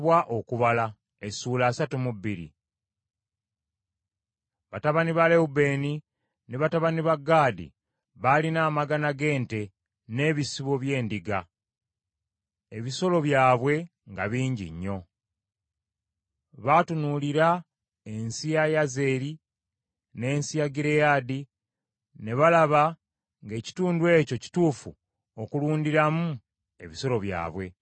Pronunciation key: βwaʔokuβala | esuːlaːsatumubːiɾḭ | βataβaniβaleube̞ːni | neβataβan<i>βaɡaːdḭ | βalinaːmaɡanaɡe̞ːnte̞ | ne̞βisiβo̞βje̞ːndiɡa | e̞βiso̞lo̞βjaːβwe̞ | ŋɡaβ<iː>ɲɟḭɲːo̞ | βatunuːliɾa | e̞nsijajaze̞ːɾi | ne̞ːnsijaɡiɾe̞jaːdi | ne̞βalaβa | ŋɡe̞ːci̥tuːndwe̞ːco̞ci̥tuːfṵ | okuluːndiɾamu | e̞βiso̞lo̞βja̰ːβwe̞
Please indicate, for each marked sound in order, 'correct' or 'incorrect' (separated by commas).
correct, correct